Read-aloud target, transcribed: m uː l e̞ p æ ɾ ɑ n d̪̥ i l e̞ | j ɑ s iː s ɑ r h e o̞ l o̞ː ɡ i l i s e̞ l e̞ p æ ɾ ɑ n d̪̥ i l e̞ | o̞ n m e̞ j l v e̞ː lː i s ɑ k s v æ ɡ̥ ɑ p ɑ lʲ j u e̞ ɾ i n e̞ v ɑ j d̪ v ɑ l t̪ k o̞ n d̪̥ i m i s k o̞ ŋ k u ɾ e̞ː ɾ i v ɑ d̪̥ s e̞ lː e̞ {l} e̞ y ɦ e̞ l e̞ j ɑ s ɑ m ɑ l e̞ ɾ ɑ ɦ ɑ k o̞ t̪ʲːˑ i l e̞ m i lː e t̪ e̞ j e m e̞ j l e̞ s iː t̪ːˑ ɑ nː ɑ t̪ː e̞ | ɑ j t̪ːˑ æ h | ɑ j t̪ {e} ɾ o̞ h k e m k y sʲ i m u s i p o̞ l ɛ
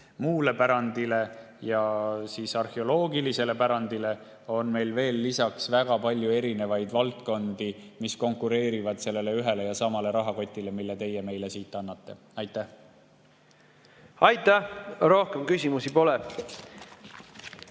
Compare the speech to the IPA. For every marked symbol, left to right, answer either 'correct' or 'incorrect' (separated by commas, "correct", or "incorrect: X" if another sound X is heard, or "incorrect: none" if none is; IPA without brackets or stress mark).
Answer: correct, incorrect: æ